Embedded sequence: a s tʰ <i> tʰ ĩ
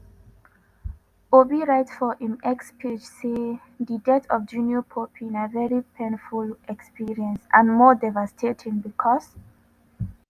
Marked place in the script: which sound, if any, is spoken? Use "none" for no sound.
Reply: e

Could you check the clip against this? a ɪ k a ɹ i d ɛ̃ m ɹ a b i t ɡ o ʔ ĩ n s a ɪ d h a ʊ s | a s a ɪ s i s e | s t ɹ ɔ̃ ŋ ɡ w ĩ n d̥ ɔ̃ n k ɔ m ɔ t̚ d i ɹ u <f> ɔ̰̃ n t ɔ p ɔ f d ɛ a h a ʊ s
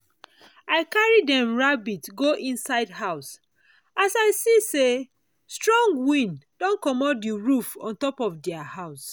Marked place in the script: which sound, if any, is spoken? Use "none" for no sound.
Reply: f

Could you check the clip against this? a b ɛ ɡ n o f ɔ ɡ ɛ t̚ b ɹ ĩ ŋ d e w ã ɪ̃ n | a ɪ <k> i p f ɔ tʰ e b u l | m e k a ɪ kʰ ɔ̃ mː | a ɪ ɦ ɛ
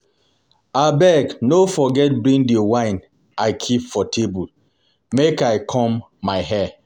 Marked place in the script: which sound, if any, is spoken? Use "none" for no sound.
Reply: kʰ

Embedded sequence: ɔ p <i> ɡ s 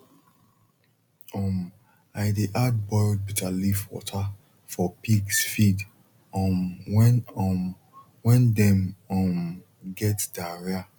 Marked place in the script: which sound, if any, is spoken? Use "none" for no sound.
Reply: i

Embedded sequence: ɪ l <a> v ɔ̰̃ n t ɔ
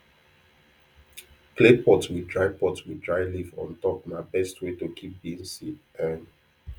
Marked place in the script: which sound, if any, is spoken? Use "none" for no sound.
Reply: i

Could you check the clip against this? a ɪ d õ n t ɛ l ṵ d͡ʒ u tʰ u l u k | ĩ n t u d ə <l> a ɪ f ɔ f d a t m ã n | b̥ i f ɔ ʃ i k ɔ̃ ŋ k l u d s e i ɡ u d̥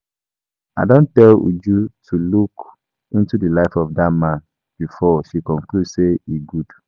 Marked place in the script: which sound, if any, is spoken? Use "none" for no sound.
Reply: l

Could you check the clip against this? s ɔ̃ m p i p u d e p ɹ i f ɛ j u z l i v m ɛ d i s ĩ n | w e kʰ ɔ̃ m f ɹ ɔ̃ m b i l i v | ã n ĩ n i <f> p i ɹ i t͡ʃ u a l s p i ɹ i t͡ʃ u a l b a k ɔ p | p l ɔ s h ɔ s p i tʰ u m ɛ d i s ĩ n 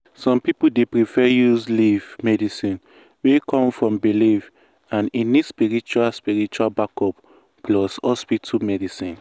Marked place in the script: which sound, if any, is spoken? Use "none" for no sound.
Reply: s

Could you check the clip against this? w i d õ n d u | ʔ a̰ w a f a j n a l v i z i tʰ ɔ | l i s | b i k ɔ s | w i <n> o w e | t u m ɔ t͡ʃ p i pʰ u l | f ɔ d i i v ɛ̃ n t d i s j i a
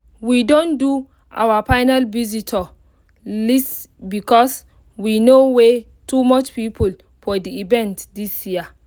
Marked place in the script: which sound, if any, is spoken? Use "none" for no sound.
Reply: n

